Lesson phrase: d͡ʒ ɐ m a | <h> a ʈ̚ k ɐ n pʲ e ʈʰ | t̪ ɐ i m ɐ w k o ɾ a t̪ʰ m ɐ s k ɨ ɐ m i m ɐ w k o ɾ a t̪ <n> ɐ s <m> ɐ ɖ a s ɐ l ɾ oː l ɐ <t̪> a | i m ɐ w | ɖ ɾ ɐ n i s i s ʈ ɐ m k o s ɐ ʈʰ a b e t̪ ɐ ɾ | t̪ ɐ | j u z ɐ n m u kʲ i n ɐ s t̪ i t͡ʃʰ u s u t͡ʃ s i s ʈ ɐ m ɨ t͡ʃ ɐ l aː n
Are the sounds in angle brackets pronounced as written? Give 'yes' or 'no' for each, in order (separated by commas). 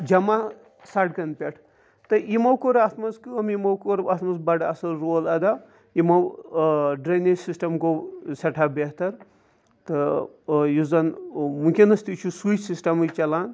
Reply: no, no, no, no